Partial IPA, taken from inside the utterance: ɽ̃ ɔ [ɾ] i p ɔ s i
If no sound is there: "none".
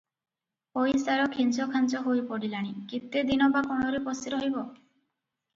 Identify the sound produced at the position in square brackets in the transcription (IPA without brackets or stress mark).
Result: ɾ